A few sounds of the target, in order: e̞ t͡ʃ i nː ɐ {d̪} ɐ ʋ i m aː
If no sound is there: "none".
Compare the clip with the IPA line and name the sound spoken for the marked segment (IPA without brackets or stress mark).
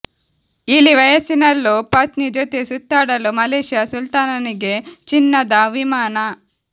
d̪